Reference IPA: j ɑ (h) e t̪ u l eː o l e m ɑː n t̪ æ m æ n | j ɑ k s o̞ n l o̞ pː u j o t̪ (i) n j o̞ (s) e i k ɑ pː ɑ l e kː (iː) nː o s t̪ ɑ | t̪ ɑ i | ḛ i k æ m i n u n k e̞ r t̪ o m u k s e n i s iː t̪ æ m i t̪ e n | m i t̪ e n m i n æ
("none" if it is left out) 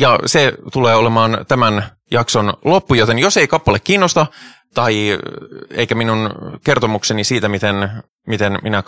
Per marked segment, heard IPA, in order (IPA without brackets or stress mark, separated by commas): s, e, s, iː